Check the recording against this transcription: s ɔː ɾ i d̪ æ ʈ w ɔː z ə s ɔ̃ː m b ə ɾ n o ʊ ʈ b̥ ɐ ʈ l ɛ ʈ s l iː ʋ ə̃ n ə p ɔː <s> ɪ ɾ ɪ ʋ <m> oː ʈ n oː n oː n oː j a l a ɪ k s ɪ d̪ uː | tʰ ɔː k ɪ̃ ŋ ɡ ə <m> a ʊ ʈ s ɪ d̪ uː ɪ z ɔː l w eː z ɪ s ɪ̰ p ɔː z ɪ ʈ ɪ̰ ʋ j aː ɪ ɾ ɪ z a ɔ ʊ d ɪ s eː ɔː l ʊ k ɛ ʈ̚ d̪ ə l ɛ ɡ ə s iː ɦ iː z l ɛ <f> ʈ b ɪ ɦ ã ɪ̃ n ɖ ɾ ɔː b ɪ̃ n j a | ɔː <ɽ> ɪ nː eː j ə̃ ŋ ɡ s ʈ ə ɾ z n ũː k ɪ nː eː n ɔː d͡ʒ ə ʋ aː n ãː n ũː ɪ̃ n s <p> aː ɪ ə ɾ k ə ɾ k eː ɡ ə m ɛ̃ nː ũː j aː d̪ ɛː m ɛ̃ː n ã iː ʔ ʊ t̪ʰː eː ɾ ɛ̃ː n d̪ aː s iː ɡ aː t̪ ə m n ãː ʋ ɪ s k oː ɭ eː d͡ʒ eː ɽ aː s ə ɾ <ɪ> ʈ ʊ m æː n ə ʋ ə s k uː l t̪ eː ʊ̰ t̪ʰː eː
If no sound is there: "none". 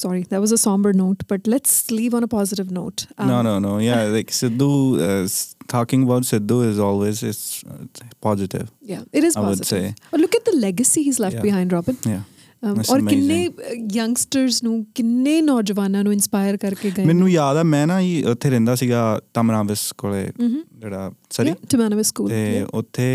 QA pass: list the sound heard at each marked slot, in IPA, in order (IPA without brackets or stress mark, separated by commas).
z, n, b, f, ɾ, p, i